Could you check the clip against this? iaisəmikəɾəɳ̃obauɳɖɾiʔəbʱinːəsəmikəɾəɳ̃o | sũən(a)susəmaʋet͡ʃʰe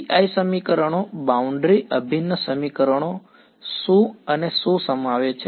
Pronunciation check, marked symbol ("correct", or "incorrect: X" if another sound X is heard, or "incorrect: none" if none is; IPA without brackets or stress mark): incorrect: e